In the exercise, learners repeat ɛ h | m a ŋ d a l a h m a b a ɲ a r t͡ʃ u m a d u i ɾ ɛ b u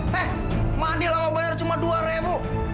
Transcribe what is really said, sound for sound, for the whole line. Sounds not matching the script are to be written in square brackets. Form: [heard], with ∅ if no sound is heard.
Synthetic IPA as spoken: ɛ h | m a [n] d [i] l a [∅] m a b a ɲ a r t͡ʃ u m a d u [a] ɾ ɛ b u